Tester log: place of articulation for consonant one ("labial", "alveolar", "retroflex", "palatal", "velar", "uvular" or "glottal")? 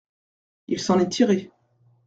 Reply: alveolar